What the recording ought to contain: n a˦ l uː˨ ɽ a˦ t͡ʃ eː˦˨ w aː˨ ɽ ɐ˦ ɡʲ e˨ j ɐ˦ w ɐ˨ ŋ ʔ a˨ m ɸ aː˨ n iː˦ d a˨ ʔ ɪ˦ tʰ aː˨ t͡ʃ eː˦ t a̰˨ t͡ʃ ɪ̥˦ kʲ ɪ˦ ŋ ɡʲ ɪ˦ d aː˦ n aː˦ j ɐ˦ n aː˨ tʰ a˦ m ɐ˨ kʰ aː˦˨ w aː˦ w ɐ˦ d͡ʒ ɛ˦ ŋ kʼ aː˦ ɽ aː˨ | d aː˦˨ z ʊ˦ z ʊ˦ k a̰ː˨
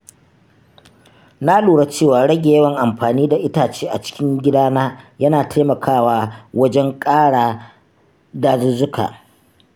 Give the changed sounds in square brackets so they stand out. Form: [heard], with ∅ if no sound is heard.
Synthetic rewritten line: n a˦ l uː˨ ɽ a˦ t͡ʃ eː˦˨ w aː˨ ɽ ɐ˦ ɡʲ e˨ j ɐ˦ w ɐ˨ ŋ ʔ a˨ m ɸ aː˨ n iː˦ d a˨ ʔ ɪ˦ [t] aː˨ t͡ʃ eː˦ [ʔ] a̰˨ t͡ʃ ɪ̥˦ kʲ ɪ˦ ŋ ɡʲ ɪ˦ d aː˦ n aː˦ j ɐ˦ n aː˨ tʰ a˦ m ɐ˨ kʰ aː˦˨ w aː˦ w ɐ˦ d͡ʒ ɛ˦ ŋ kʼ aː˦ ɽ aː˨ | d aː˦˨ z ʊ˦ z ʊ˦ k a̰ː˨